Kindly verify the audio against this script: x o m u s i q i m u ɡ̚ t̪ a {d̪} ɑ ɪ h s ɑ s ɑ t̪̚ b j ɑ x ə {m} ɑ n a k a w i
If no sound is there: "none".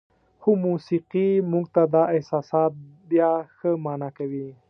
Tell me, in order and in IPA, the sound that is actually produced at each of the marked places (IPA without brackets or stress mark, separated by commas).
d̪, m